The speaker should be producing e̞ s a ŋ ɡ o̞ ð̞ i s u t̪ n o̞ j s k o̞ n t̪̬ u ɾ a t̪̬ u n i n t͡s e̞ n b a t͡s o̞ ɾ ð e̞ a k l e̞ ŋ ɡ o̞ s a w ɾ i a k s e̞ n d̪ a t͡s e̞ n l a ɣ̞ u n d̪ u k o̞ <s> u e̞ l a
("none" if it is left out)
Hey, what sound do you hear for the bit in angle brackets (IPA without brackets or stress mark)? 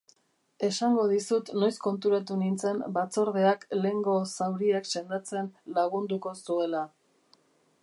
s